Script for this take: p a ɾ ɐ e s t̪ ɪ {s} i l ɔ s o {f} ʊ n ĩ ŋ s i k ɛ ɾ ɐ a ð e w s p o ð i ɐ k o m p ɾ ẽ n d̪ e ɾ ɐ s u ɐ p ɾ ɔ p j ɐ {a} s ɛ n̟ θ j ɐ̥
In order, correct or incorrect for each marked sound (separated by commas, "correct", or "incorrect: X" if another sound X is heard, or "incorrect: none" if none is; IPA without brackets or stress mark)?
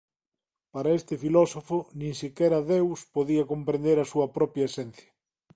incorrect: f, correct, incorrect: e